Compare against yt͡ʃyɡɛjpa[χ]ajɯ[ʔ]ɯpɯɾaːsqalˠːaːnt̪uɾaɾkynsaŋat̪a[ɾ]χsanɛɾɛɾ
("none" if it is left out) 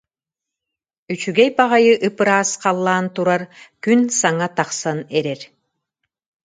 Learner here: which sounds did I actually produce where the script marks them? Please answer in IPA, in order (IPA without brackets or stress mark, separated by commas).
ʁ, ʔ, none